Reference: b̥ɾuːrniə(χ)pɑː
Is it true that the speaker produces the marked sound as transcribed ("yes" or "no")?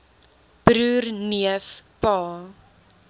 no